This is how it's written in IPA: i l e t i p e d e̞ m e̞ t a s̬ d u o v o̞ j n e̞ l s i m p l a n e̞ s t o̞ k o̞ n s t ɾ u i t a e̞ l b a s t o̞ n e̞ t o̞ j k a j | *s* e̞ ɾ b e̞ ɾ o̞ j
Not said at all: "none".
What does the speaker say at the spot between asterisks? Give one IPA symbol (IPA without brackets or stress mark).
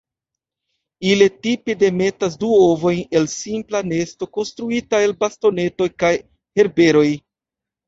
h